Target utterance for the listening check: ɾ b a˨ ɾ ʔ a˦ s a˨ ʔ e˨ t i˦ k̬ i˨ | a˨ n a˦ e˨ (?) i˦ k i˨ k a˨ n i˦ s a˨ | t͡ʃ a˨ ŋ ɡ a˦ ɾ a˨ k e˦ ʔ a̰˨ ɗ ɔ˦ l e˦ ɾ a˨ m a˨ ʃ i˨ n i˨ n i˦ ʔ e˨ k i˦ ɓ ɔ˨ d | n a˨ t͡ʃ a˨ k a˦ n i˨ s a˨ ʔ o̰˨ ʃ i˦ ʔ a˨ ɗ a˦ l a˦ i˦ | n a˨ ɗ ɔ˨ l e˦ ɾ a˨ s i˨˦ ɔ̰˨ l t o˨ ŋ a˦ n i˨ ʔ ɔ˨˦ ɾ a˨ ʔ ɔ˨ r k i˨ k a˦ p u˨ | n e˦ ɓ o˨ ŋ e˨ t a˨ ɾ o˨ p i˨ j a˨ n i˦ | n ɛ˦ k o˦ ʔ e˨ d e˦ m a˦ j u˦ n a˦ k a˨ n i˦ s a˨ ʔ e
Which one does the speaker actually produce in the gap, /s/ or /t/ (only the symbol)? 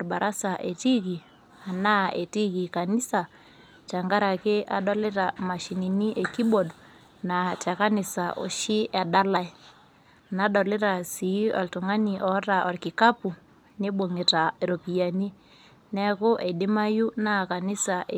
t